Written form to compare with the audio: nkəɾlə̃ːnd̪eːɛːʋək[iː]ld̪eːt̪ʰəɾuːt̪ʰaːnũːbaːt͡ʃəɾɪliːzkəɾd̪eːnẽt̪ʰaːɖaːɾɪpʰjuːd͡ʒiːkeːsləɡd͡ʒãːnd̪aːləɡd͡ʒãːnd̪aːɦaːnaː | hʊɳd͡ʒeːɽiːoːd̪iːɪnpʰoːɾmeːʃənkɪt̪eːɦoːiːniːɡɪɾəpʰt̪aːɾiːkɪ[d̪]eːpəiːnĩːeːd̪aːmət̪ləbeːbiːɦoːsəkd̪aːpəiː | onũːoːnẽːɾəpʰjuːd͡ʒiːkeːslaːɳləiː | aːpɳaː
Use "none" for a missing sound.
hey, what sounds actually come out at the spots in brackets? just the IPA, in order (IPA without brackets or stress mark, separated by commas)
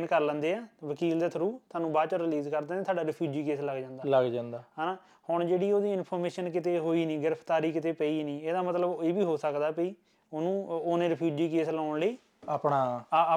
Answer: iː, t̪